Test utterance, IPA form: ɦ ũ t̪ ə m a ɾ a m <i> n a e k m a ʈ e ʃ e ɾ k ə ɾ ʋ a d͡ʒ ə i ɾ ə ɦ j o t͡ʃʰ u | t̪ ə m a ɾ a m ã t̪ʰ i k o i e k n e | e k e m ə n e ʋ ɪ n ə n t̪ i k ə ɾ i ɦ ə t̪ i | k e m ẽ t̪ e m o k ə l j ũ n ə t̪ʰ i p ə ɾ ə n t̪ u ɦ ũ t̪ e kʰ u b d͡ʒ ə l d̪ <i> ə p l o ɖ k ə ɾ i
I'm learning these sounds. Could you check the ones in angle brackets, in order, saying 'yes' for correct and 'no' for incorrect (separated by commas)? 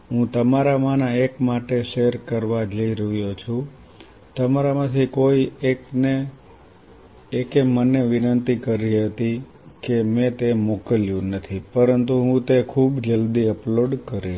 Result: no, yes